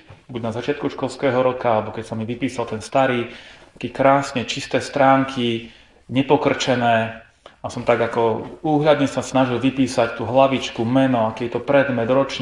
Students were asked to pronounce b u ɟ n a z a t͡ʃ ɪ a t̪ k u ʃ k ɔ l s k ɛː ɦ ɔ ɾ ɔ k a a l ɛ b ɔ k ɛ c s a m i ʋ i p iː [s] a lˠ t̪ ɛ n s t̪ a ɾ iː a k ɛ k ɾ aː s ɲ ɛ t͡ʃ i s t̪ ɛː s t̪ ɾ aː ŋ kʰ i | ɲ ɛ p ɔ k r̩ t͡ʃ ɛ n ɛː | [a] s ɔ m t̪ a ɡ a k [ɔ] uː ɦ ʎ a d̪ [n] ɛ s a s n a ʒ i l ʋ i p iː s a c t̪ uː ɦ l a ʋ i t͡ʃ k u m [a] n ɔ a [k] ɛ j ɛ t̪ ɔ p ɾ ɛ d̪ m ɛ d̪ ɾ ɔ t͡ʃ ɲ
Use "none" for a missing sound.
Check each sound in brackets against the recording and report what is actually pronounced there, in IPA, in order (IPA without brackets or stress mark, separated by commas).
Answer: s, a, ɔ, ɲ, ɛ, k